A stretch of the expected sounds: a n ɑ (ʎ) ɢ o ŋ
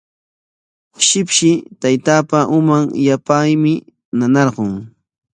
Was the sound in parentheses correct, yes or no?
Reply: no